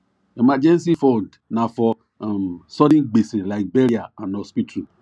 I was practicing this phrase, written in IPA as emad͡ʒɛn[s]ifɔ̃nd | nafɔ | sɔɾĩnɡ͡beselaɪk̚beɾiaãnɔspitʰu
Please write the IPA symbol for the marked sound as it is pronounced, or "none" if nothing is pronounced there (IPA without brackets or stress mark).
s